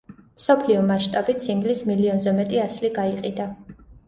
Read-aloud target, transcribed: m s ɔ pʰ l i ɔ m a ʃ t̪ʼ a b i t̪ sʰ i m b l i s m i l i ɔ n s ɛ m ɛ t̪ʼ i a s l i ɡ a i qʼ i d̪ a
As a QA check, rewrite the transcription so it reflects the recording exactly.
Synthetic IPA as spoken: m s ɔ pʰ l i ɔ m a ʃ t̪ʼ a b i t̪ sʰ i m ɡ l i s m i l i ɔ n z ɛ m ɛ t̪ʼ i a s l i ɡ a i qʼ i d̪ a